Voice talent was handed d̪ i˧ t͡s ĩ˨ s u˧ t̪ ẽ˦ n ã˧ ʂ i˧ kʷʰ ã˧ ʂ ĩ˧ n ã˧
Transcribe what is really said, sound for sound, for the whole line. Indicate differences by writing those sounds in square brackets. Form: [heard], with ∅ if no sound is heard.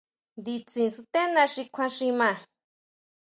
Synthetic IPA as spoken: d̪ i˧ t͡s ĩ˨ s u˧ t̪ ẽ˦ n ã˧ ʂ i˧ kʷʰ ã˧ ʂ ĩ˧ [m] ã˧